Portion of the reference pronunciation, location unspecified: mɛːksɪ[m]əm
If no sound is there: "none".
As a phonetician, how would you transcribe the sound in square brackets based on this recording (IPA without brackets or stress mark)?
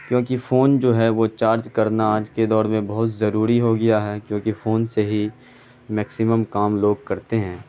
m